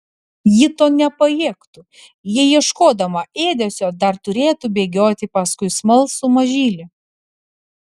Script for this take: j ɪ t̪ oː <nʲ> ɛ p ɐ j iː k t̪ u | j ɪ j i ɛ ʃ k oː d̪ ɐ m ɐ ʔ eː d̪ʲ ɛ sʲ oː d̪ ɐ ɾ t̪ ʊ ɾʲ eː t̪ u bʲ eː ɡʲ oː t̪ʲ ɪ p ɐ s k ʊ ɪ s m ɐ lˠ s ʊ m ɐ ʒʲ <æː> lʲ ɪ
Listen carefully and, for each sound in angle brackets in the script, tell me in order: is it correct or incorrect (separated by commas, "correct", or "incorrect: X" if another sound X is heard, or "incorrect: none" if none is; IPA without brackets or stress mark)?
correct, incorrect: iː